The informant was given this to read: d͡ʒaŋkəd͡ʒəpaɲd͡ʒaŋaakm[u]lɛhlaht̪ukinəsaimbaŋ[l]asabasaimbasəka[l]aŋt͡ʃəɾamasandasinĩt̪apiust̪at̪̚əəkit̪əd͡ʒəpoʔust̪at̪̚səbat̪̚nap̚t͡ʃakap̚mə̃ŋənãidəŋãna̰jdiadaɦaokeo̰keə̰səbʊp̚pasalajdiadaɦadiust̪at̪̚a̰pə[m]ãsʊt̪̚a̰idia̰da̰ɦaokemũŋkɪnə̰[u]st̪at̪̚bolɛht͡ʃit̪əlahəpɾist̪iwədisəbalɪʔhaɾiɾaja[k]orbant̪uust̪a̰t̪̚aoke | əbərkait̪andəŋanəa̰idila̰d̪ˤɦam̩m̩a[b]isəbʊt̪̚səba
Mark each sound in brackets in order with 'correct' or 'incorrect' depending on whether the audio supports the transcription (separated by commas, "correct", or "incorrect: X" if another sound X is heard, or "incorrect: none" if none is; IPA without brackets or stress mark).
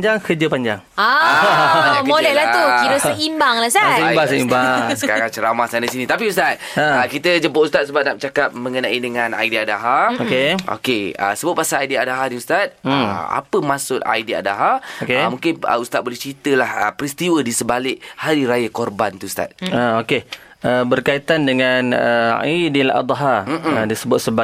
incorrect: o, correct, incorrect: ɾ, correct, correct, correct, incorrect: d